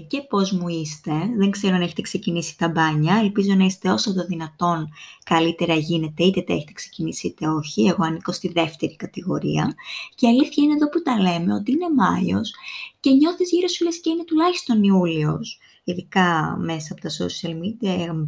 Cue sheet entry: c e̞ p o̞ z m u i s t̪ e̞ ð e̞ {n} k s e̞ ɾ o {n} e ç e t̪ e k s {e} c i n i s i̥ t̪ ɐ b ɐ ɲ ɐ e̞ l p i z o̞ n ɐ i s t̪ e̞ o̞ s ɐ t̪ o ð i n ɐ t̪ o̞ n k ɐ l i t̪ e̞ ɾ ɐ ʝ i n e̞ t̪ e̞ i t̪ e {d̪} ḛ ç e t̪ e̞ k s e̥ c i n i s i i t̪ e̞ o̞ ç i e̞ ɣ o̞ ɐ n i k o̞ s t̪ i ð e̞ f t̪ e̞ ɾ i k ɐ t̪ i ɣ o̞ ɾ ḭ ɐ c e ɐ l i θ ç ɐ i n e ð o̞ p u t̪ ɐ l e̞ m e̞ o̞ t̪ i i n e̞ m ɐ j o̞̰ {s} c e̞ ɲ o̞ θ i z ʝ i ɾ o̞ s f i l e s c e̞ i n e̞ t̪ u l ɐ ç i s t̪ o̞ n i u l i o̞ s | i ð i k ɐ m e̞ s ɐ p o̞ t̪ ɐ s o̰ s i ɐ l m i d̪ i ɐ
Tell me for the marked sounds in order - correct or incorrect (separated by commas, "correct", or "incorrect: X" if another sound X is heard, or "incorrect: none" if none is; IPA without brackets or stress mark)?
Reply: incorrect: ŋ, correct, correct, incorrect: t̪, correct